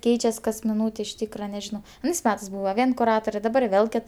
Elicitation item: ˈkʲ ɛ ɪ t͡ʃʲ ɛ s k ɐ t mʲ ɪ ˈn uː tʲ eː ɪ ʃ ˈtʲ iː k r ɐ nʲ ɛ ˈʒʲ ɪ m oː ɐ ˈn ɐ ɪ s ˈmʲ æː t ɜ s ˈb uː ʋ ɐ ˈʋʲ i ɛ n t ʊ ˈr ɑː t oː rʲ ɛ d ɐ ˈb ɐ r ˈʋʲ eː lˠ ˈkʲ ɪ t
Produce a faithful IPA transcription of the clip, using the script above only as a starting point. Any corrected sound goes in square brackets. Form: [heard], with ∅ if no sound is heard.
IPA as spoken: ˈkʲ ɛ ɪ t͡ʃʲ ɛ s k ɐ [s] mʲ ɪ ˈn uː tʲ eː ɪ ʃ ˈtʲ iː k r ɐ nʲ ɛ ˈʒʲ ɪ [n] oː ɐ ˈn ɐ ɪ s ˈmʲ æː t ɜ s ˈb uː ʋ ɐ ˈʋʲ i ɛ n [k] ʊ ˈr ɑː t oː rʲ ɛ d ɐ ˈb ɐ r ˈʋʲ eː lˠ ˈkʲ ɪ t